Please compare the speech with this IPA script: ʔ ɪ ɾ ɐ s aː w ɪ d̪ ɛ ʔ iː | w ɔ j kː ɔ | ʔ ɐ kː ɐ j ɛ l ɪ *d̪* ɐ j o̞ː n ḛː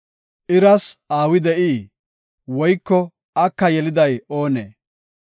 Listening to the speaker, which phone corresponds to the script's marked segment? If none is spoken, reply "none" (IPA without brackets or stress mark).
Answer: d̪